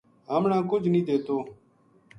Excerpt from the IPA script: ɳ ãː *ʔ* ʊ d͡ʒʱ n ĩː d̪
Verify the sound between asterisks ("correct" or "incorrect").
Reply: incorrect